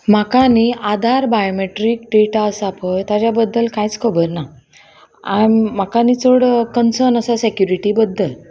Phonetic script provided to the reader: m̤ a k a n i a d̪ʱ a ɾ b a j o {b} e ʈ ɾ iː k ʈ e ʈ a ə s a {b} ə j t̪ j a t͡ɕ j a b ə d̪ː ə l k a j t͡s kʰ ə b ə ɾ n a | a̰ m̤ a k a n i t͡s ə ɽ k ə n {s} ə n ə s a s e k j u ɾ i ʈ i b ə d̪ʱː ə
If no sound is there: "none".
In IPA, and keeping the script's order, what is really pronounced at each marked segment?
m, p, s

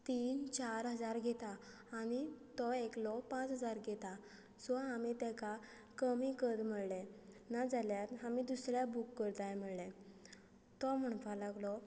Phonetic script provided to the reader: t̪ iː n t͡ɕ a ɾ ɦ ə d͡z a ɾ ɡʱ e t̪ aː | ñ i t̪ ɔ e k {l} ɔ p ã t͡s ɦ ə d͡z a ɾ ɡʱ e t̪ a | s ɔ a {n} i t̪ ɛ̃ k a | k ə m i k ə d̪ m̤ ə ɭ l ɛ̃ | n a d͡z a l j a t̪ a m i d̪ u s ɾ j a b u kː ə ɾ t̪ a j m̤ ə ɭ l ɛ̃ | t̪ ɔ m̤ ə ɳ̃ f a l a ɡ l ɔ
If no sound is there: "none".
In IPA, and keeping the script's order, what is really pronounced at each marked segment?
l, m

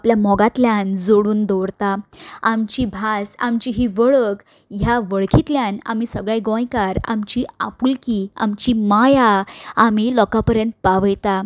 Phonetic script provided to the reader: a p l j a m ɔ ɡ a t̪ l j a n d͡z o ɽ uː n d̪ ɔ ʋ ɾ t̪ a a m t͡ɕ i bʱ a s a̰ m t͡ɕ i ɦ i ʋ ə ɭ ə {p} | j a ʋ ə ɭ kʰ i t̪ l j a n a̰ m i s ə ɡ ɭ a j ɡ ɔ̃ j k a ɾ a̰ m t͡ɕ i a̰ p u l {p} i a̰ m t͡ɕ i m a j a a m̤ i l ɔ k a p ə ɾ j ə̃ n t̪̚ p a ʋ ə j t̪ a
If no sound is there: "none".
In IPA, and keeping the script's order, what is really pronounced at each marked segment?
k, k

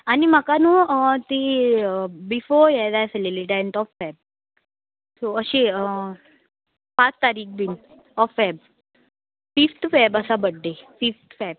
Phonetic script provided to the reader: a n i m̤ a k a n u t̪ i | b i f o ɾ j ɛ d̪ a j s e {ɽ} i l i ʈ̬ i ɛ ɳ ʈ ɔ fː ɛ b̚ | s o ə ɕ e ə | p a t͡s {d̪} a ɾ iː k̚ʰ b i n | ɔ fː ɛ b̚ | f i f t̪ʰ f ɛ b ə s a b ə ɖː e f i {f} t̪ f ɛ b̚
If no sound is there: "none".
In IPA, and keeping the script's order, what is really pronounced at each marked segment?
l, t̪, f

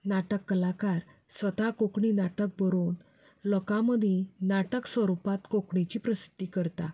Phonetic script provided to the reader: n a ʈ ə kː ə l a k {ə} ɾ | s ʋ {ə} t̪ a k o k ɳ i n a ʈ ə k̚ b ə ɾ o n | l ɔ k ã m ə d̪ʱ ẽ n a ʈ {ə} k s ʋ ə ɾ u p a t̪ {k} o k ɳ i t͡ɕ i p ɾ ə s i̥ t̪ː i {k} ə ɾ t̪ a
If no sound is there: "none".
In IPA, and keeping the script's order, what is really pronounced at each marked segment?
a, ə, ə, k, k

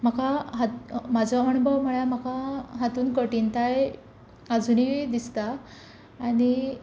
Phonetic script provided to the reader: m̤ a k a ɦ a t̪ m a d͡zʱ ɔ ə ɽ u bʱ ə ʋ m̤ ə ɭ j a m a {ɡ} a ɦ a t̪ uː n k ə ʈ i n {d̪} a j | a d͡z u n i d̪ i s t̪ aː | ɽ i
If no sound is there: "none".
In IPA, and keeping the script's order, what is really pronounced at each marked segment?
k, t̪

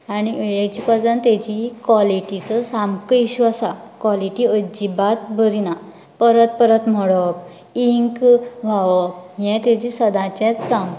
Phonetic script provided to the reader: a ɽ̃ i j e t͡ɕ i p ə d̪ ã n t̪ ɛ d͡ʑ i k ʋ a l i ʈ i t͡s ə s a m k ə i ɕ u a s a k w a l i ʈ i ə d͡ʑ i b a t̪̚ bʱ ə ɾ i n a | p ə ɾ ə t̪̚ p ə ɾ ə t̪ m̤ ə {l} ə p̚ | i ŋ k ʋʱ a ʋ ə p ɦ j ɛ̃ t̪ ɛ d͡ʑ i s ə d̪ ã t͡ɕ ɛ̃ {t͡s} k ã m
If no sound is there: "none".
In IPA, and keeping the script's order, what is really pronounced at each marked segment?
ɽ, t͡s

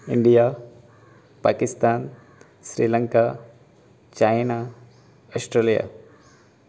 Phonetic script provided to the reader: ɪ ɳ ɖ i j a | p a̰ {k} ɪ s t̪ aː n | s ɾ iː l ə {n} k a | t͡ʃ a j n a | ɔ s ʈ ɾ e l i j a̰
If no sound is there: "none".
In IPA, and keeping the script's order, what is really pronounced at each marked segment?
k, ŋ

